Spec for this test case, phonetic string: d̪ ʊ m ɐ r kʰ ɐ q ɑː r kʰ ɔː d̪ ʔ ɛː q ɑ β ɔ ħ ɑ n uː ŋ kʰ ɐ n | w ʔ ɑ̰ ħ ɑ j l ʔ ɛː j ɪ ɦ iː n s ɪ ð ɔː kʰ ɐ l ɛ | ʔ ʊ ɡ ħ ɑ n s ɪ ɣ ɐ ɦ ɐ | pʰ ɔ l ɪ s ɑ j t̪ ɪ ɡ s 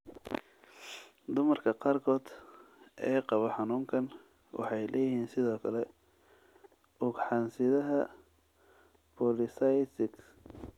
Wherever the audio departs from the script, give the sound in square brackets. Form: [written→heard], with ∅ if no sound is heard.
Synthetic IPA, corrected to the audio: d̪ ʊ m ɐ r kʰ ɐ q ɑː r kʰ ɔː d̪ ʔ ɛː q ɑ β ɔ ħ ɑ n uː ŋ kʰ ɐ n | w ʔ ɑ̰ ħ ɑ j l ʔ ɛː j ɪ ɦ iː n s ɪ ð ɔː kʰ ɐ l ɛ | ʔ ʊ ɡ ħ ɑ n s ɪ [ɣ→ð] ɐ ɦ ɐ | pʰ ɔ l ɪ s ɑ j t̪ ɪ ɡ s